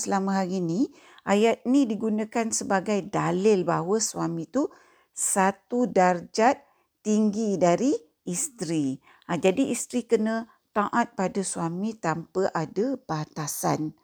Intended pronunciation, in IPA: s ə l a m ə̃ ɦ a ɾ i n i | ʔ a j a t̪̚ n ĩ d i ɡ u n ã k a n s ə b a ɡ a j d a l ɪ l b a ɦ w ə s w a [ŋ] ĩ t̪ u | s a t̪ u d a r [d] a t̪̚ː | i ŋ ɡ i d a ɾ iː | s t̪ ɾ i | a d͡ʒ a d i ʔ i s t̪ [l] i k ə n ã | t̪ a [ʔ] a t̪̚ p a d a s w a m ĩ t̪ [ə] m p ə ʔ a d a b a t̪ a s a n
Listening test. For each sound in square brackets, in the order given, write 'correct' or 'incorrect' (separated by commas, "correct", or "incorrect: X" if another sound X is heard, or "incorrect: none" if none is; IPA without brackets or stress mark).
incorrect: m, incorrect: d͡ʒ, incorrect: ɾ, correct, incorrect: a